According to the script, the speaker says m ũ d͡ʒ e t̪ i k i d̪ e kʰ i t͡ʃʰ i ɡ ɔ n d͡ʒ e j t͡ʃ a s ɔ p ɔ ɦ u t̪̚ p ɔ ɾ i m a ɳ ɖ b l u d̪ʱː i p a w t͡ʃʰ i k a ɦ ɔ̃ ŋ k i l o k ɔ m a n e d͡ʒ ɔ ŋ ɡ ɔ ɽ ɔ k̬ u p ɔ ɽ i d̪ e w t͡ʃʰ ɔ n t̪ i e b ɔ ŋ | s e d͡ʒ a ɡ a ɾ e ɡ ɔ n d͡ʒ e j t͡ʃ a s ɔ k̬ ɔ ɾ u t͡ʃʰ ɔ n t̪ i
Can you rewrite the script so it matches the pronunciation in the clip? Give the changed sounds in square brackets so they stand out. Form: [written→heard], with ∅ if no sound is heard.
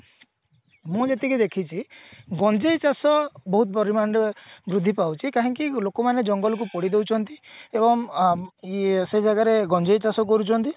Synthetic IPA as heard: m ũ d͡ʒ e t̪ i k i d̪ e kʰ i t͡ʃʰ i ɡ ɔ n d͡ʒ e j t͡ʃ a s ɔ [p→b] ɔ ɦ u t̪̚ p ɔ ɾ i m a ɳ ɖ b [l→ɾ] u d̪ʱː i p a w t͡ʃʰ i k a ɦ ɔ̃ ŋ k i l o k ɔ m a n e d͡ʒ ɔ ŋ ɡ ɔ [ɽ→l] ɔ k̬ u p ɔ ɽ i d̪ e w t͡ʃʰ ɔ n t̪ i e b ɔ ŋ | s e d͡ʒ a ɡ a ɾ e ɡ ɔ n d͡ʒ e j t͡ʃ a s ɔ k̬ ɔ ɾ u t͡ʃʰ ɔ n t̪ i